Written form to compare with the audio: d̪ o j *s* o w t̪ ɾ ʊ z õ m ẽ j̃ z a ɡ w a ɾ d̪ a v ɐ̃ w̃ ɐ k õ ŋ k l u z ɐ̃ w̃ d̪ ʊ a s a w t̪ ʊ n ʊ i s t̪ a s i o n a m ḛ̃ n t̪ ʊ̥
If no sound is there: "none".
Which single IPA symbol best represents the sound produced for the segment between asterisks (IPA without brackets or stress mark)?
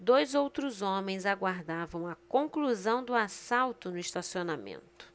z